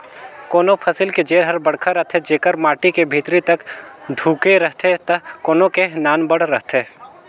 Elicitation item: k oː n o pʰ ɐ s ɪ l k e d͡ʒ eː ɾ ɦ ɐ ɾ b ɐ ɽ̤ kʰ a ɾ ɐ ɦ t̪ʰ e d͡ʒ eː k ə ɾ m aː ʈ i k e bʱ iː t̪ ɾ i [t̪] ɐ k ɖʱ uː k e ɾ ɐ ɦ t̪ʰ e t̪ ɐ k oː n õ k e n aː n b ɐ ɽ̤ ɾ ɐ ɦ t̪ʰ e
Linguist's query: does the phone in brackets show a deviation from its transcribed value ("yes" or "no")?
no